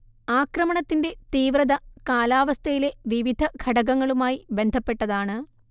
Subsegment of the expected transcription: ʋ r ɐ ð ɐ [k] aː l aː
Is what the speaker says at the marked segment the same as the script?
yes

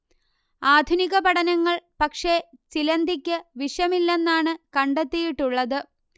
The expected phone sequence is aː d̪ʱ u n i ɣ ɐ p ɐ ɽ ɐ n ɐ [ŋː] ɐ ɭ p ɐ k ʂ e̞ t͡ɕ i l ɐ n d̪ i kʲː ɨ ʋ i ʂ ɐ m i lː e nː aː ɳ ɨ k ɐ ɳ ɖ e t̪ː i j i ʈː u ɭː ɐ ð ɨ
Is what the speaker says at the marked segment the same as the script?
yes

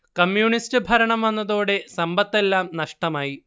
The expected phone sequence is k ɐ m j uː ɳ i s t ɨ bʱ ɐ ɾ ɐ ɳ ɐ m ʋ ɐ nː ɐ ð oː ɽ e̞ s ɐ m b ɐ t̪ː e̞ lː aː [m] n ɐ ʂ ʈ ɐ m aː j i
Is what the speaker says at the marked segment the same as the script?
yes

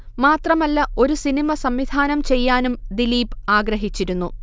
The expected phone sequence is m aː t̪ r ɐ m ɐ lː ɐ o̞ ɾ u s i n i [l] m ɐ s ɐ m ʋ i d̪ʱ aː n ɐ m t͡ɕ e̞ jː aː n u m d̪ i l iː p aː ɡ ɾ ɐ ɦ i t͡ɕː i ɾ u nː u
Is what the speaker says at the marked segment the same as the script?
no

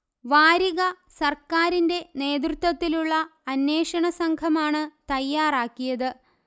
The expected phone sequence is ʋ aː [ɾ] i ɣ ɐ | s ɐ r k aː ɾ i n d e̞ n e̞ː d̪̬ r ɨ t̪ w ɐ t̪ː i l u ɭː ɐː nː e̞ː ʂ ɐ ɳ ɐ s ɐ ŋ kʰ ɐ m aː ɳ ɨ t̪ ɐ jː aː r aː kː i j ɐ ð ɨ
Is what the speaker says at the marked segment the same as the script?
yes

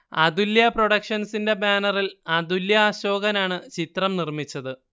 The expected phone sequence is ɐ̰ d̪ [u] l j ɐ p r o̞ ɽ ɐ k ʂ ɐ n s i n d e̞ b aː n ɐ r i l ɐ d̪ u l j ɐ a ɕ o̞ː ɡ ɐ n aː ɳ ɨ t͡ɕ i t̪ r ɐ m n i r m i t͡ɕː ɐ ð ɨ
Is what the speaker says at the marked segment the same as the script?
yes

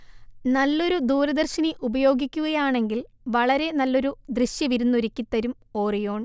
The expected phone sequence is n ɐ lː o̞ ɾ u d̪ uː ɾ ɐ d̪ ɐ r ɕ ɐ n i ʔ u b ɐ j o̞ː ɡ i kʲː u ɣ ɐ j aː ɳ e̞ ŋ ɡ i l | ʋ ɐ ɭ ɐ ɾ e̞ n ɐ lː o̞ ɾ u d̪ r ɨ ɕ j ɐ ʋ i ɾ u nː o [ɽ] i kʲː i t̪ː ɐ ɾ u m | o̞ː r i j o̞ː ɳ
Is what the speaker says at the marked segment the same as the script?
no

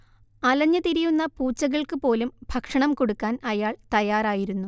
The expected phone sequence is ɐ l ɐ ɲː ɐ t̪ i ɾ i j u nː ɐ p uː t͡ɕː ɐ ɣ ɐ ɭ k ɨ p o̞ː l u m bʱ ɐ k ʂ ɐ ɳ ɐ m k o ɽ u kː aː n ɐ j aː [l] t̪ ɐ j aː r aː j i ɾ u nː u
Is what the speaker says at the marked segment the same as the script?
no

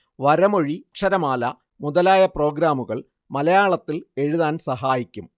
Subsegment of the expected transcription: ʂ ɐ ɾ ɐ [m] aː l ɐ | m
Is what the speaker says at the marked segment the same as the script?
yes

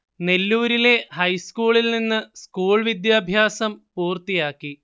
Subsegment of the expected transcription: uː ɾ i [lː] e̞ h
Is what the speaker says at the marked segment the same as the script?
no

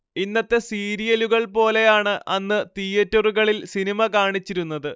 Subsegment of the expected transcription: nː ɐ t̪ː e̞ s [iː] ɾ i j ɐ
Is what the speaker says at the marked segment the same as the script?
yes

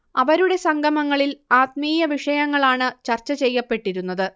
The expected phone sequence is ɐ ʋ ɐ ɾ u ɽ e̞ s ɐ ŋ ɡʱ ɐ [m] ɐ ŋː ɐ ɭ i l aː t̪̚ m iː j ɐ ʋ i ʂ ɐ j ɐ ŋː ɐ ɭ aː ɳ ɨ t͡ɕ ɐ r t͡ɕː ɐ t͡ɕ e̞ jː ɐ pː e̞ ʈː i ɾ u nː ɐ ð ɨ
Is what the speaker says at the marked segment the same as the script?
yes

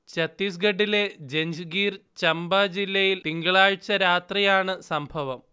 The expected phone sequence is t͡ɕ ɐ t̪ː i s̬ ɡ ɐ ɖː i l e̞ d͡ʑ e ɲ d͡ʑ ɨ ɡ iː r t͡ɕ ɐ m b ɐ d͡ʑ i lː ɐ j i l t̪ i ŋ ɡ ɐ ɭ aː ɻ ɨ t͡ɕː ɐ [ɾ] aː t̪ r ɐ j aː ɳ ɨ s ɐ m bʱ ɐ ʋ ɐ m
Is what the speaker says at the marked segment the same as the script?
yes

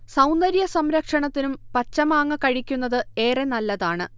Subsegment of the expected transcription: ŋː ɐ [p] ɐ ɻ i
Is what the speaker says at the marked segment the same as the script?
no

